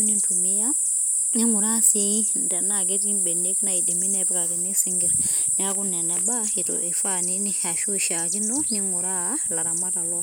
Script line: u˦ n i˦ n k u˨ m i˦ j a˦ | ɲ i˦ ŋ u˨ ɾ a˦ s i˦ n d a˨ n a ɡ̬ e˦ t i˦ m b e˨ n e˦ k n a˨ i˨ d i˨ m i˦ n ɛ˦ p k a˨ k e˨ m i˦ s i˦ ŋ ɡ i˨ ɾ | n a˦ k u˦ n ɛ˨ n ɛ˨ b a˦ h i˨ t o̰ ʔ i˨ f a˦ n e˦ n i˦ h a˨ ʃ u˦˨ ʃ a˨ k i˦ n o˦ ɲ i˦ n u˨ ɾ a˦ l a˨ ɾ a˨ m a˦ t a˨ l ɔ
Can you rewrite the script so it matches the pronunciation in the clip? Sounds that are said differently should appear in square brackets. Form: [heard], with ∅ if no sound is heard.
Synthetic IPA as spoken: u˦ n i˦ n [t] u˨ m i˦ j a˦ | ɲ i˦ ŋ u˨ ɾ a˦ s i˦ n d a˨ n a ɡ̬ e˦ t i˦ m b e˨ n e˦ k n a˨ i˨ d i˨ m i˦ n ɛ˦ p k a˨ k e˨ [n] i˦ s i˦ ŋ ɡ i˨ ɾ | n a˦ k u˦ n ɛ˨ n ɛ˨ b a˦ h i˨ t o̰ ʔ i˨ f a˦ n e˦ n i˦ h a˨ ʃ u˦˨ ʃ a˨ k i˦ n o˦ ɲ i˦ [ŋ] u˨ ɾ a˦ l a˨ ɾ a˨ m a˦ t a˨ l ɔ